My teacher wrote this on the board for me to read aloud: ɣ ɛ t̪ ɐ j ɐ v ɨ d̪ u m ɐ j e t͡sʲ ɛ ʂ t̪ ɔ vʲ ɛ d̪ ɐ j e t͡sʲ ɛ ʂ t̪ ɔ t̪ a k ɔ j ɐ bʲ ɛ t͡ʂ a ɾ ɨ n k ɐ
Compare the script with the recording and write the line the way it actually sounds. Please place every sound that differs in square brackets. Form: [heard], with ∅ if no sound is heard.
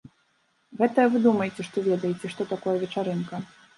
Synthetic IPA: ɣ ɛ t̪ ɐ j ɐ v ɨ d̪ u m ɐ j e t͡sʲ ɛ ʂ t̪ ɔ vʲ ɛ d̪ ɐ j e t͡sʲ ɛ ʂ t̪ ɔ t̪ a k ɔ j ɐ [vʲ] ɛ t͡ʂ a ɾ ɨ n k ɐ